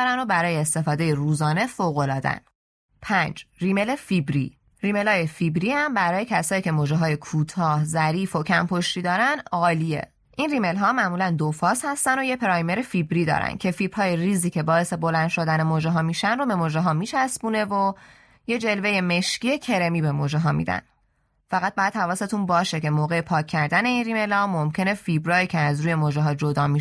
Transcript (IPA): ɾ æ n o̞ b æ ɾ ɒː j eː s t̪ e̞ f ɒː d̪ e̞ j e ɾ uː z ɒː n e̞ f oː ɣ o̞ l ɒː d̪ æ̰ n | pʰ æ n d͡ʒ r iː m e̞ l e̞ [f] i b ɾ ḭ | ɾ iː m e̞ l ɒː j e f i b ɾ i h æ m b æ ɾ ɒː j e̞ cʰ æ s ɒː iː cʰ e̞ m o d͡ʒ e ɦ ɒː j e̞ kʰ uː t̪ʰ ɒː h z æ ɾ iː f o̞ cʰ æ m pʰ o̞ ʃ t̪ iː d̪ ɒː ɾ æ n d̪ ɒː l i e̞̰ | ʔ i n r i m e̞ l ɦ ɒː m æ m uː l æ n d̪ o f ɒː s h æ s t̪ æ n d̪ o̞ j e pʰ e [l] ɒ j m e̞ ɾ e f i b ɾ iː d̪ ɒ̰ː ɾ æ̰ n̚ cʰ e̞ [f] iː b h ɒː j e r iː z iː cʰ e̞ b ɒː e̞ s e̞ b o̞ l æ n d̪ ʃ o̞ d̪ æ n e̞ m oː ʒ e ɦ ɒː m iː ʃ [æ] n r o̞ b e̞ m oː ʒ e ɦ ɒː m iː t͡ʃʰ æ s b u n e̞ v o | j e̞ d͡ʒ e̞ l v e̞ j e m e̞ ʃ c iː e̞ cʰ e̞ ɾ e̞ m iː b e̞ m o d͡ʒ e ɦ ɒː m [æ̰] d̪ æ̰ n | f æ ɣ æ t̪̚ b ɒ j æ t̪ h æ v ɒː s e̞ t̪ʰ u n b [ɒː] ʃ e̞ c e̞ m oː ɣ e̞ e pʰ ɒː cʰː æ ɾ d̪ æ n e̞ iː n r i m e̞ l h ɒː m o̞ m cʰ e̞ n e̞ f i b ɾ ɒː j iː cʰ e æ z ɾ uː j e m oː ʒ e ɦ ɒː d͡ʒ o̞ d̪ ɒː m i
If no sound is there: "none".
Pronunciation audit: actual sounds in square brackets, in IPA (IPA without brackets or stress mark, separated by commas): f, ɾ, f, æ, ḭ, ɒː